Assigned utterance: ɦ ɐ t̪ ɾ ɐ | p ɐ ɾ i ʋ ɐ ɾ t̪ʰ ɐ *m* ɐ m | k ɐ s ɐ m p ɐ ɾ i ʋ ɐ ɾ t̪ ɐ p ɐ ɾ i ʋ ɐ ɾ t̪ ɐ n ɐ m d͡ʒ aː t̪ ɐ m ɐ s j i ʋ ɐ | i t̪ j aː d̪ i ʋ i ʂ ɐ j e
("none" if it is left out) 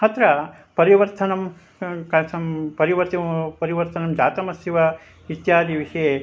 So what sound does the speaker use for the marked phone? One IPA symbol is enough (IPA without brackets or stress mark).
n